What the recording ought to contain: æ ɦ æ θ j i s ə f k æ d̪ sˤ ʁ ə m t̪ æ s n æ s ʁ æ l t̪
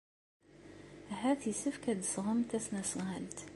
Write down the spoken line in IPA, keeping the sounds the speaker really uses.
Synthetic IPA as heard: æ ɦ æ θ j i s ə f k æ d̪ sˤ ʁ ə m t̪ æ s n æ s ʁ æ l t̪